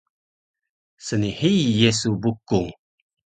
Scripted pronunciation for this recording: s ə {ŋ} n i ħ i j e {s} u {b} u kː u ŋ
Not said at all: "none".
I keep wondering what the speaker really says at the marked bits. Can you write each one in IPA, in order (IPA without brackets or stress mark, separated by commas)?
none, s, b